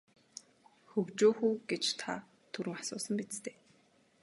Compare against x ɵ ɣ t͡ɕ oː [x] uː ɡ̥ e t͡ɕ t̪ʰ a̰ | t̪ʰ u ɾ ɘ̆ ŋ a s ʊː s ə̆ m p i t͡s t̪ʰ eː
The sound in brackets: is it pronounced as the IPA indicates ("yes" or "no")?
yes